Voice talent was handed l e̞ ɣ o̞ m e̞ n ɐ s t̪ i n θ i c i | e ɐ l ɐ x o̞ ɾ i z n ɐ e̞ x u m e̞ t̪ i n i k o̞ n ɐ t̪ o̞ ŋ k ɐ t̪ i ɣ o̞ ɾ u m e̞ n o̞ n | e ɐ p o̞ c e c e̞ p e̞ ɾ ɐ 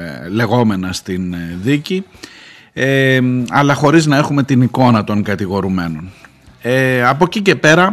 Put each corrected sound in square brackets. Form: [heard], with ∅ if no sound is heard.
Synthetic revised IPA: l e̞ ɣ o̞ m e̞ n ɐ s t̪ i n [ð] i c i | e ɐ l ɐ x o̞ ɾ i z n ɐ e̞ x u m e̞ t̪ i n i k o̞ n ɐ t̪ o̞ ŋ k ɐ t̪ i ɣ o̞ ɾ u m e̞ n o̞ n | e ɐ p o̞ c [i] c e̞ p e̞ ɾ ɐ